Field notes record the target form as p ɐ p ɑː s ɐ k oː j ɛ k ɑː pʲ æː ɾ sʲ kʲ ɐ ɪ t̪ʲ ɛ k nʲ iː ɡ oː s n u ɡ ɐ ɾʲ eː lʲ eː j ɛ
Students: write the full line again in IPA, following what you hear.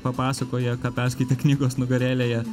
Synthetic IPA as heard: p ɐ p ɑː s ɐ k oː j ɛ k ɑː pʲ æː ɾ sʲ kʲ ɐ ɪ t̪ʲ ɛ k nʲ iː ɡ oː s n ʊ ɡ ɐ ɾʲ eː lʲ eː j ɛ